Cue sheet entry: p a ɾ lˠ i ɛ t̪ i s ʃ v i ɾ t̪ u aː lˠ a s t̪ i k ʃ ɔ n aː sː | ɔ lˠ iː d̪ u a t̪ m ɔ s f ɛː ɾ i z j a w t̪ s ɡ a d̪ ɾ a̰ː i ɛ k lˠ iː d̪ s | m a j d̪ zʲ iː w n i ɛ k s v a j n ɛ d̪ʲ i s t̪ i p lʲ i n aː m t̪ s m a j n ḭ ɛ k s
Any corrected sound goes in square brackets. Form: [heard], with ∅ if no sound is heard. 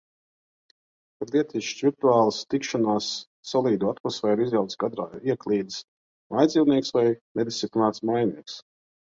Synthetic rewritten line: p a ɾ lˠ i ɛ t̪ i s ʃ v i ɾ t̪ u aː lˠ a s t̪ i k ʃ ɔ n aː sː | ɔ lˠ iː d̪ u a t̪ m ɔ s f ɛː ɾ i z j a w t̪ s ɡ a d̪ ɾ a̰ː i ɛ k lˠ iː d̪ s | m a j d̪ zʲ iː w n i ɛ k s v a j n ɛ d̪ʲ i s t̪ i p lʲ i n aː [∅] t̪ s m a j n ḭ ɛ k s